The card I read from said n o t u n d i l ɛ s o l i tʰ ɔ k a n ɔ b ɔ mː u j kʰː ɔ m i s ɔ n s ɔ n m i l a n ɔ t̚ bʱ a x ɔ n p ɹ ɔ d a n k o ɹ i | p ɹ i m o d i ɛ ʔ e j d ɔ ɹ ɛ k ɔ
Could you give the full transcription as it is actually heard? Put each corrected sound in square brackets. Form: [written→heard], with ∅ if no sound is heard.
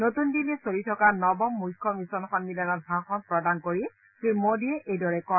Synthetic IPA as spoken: n o t u n d i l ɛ s o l i tʰ ɔ k a n ɔ b ɔ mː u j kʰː ɔ m i s ɔ n [s→x] ɔ n m i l a n ɔ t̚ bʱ a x ɔ n p ɹ ɔ d a n k o ɹ i | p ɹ i m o d i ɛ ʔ e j d ɔ ɹ ɛ k ɔ